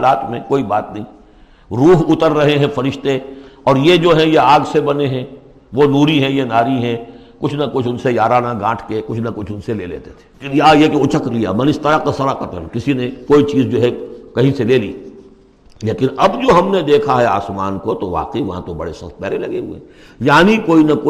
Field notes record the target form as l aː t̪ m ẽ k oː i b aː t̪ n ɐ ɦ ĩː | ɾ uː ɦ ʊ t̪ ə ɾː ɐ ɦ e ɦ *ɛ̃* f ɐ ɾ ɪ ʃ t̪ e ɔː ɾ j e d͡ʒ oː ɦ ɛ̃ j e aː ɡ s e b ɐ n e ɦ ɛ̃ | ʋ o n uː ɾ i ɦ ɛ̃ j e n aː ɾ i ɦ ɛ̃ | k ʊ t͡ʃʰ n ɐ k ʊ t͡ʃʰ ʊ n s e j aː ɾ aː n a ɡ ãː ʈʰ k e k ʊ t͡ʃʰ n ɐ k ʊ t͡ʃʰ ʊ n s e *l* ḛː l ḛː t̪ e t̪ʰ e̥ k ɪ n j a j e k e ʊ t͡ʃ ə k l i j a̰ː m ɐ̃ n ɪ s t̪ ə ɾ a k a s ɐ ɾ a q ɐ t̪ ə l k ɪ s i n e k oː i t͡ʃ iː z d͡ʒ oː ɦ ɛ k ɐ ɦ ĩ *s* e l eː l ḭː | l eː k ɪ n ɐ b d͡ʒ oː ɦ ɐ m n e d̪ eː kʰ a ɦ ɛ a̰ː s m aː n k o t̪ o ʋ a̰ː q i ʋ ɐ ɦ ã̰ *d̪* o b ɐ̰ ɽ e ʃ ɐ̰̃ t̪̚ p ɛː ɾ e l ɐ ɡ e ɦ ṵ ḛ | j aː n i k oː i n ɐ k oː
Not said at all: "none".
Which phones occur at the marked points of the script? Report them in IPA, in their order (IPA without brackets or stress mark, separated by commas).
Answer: ɛ̃, l, s, t̪